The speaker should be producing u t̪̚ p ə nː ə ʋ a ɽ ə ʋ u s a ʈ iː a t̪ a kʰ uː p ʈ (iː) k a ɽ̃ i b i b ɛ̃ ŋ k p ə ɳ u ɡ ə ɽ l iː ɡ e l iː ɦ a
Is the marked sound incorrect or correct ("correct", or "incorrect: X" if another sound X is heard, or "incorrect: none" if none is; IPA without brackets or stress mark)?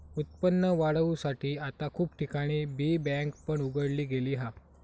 incorrect: i